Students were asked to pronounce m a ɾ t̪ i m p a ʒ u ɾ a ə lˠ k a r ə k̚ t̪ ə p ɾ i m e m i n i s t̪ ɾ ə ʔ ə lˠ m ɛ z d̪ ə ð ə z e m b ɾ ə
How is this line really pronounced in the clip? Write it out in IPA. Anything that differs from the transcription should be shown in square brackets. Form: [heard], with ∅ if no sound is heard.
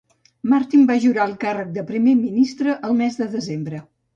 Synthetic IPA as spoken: m a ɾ t̪ i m [b] a ʒ u ɾ a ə lˠ k a r ə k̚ [d̪] ə p ɾ i m e m i n i s t̪ ɾ ə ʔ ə lˠ m ɛ z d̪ ə ð ə z e m b ɾ ə